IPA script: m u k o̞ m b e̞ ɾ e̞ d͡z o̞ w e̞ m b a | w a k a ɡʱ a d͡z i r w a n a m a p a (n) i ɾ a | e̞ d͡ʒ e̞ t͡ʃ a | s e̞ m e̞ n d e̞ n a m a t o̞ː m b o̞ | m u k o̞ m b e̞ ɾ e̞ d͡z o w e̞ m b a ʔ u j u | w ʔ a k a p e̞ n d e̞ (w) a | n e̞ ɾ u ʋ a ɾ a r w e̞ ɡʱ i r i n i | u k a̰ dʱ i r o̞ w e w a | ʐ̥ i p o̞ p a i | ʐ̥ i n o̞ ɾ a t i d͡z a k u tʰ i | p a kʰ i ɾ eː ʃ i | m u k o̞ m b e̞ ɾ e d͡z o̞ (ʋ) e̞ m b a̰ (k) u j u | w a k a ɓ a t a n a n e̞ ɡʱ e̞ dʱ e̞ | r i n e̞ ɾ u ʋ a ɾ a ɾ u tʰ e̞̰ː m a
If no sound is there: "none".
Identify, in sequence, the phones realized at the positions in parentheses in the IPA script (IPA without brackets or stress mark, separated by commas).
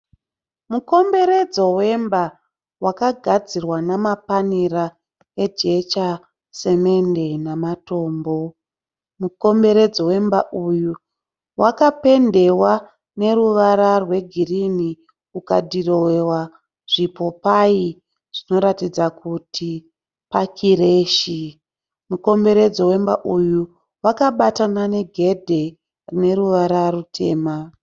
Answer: n, w, w, ʔ